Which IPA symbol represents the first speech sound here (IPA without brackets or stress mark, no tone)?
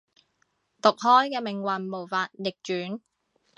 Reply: t̪